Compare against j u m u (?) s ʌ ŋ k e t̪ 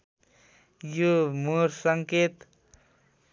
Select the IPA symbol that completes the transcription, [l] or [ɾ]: ɾ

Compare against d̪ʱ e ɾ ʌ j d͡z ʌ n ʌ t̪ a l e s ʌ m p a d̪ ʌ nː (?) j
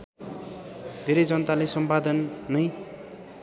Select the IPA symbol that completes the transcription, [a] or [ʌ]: ʌ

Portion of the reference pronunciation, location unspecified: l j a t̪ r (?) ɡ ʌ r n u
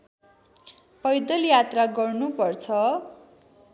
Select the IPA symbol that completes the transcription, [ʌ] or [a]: a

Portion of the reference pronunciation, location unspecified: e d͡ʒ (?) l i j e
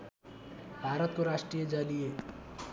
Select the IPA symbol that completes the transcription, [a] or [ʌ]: a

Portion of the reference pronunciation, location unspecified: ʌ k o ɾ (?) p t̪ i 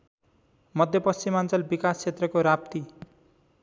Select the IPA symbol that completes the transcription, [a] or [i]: a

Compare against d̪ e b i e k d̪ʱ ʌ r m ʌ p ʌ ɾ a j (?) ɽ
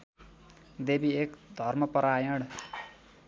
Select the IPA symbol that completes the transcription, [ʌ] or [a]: ʌ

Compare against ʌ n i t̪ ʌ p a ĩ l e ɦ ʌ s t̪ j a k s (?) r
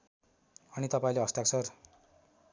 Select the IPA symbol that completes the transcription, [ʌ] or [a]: ʌ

